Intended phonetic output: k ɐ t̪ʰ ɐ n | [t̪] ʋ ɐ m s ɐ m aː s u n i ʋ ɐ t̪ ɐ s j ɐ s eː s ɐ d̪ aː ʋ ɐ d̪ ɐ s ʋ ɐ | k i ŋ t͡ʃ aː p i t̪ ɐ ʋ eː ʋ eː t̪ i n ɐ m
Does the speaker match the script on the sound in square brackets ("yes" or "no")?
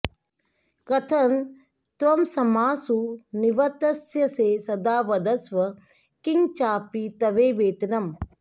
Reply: yes